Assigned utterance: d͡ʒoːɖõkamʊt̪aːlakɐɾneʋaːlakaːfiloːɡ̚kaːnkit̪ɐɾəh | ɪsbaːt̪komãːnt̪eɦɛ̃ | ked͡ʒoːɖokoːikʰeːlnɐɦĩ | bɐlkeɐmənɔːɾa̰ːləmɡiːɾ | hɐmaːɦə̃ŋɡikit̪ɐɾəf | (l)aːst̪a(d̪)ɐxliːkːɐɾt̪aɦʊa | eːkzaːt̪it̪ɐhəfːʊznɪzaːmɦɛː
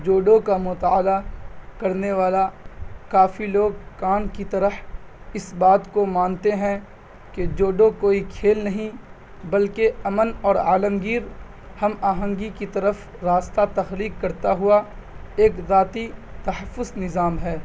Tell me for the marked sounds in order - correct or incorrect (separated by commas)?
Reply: incorrect, incorrect